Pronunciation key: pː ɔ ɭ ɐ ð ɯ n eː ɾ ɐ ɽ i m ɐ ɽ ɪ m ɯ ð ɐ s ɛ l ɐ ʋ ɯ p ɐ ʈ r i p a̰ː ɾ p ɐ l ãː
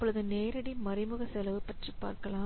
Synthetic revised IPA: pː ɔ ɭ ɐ ð ɯ n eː ɾ ɐ ɽ i m ɐ ɾ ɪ m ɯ ɣ ɐ s ɛ l ɐ ʋ ɯ p ɐ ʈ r i p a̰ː ɾ k ɐ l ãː